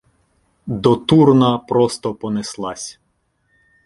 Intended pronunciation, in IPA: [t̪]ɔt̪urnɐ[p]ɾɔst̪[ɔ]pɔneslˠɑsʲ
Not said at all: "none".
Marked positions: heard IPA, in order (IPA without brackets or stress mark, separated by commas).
d̪, p, ɔ